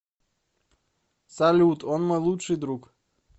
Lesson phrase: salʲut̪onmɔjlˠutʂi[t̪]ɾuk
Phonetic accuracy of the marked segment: incorrect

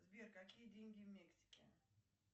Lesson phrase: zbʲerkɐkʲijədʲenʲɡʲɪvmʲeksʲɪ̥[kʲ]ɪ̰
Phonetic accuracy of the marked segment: correct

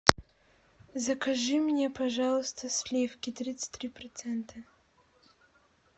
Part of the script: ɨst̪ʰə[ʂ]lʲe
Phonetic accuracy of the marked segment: incorrect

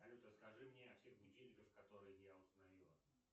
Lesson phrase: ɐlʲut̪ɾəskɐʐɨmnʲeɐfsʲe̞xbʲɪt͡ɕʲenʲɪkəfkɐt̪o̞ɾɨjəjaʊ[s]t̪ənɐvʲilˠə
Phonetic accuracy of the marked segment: correct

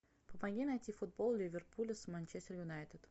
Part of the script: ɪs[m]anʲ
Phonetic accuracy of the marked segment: correct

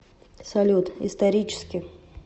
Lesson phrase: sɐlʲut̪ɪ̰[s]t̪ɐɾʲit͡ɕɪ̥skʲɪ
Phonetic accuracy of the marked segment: correct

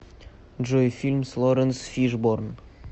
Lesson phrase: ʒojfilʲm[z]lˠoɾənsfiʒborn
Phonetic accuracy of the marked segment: incorrect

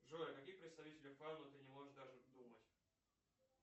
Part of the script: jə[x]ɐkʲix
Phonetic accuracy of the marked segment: incorrect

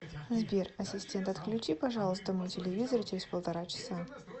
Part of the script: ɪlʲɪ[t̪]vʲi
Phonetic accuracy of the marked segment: incorrect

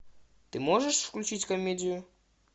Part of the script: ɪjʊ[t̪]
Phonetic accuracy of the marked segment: incorrect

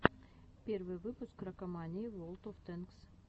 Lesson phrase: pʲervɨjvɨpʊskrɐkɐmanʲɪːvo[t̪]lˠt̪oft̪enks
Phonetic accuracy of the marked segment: incorrect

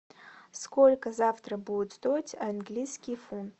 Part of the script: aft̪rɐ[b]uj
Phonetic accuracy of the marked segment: correct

